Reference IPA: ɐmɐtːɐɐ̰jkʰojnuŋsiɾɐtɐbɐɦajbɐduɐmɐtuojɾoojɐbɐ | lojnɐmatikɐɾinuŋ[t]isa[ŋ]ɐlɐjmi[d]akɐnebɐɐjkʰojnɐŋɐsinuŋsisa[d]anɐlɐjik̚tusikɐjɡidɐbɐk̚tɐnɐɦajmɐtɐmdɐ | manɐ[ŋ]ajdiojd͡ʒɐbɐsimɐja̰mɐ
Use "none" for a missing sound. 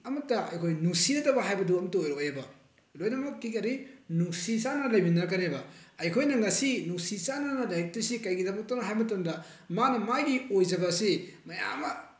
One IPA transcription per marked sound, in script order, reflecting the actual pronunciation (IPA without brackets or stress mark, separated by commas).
s, n, n, n, m